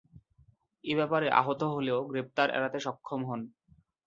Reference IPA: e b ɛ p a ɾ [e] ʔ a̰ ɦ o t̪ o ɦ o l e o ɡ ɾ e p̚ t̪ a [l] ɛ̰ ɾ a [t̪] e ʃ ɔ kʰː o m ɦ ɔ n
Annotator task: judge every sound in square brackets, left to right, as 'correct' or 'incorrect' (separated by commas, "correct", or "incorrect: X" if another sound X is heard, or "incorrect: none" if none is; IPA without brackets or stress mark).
correct, incorrect: ɾ, correct